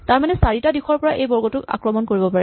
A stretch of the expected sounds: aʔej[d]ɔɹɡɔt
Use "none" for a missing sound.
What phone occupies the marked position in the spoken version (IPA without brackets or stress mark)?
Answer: b